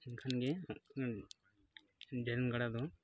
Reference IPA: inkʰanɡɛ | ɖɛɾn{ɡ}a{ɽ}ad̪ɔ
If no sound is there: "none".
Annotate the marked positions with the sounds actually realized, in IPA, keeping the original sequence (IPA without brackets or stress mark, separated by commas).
ɡ, ɽ